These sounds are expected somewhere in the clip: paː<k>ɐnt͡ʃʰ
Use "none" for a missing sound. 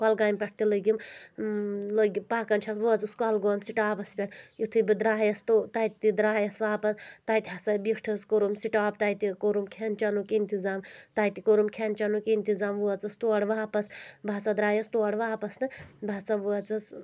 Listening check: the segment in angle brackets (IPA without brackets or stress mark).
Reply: k